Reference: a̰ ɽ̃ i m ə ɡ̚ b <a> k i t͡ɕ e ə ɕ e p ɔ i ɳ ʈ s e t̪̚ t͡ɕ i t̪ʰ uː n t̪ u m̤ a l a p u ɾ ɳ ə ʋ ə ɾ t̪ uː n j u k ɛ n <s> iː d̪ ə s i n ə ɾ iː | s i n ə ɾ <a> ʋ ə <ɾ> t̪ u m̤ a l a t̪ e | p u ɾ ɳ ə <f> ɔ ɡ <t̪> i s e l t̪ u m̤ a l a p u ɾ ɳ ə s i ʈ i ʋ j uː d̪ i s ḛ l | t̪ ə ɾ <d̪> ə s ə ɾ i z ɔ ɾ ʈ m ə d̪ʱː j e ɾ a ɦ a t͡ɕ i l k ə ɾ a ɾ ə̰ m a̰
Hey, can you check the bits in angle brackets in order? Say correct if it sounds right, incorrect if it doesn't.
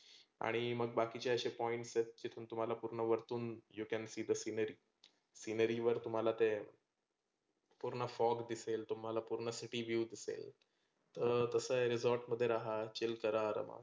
correct, correct, incorrect: i, correct, correct, incorrect: d̪, incorrect: t̪

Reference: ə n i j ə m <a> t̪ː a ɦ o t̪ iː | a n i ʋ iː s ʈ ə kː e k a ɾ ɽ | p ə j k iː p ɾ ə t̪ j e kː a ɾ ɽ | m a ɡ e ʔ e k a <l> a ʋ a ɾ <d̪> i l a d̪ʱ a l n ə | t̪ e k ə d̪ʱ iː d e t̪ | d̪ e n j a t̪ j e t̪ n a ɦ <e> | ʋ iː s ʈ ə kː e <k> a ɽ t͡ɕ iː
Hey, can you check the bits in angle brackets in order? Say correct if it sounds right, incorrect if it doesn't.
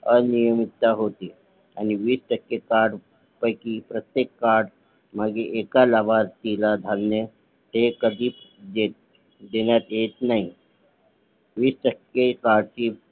incorrect: i, correct, incorrect: t̪, incorrect: i, correct

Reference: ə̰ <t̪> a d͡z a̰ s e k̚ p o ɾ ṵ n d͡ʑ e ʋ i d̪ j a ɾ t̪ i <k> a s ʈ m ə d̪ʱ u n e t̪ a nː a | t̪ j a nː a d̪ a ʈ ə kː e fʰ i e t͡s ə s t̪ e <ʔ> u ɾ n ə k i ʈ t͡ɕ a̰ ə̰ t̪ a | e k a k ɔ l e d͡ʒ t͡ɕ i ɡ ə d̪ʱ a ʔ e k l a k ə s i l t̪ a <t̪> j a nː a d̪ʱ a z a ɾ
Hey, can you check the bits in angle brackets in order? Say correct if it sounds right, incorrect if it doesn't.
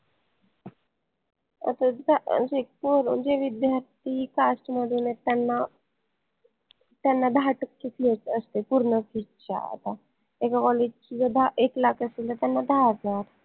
correct, correct, incorrect: p, correct

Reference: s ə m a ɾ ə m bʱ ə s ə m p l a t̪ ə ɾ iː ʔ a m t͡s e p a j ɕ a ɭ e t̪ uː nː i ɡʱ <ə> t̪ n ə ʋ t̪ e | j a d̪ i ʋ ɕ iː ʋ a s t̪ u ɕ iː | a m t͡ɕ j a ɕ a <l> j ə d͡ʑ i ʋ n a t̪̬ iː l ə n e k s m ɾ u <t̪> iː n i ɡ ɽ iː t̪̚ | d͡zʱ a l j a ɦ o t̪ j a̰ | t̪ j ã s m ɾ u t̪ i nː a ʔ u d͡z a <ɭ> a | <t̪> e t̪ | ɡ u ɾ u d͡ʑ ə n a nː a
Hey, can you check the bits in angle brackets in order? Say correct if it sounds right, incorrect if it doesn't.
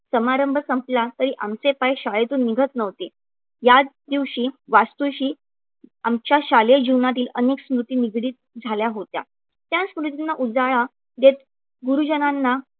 correct, correct, correct, correct, incorrect: d̪

